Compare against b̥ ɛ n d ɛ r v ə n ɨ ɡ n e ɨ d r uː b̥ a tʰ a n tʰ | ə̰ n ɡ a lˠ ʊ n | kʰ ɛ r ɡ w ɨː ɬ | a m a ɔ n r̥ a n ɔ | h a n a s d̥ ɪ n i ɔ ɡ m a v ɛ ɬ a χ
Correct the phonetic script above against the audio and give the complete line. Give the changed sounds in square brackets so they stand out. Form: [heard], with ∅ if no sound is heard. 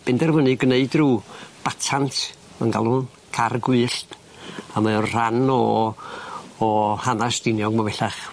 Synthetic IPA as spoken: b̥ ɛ n d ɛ r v ə n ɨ ɡ n e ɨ d r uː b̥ a tʰ a n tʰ | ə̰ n ɡ a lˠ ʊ n | kʰ [a] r ɡ w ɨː ɬ | a m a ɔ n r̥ a n ɔ | h a n a s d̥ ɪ n [j] ɔ ɡ m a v ɛ ɬ a χ

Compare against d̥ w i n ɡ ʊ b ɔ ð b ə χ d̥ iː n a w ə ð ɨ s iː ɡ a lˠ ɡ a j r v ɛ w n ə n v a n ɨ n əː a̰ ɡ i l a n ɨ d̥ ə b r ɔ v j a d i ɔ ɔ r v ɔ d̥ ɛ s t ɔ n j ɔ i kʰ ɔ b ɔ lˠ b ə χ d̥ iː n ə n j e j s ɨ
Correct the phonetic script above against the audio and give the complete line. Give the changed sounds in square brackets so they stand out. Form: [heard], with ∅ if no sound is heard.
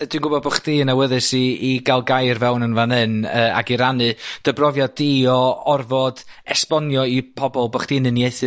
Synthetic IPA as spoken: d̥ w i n ɡ ʊ b ɔ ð b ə χ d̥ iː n a w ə ð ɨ s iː ɡ a lˠ ɡ a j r v ɛ w n ə n v a n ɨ n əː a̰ ɡ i [ɾ] a n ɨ d̥ ə b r ɔ v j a d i ɔ ɔ r v ɔ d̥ ɛ s [p] ɔ n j ɔ i [pʰ] ɔ b ɔ lˠ b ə χ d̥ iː n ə n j e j [θ] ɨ

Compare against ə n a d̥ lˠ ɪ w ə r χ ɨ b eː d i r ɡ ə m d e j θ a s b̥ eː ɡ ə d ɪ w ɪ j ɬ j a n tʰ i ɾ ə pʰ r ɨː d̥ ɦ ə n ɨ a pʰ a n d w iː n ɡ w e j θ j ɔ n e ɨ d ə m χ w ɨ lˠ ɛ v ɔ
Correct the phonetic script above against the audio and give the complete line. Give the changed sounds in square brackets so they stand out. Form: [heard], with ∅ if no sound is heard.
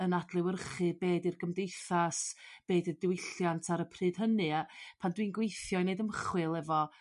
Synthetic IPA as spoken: ə n a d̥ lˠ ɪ w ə r χ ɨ b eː d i r ɡ ə m d e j θ a s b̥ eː [d] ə d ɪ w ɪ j ɬ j a n tʰ [a] ɾ ə pʰ r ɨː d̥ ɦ ə n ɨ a pʰ a n d w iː n ɡ w e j θ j ɔ n e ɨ d ə m χ w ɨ lˠ ɛ v ɔ

